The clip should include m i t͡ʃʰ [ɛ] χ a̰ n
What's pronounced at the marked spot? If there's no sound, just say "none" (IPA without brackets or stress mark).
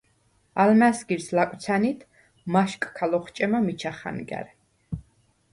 a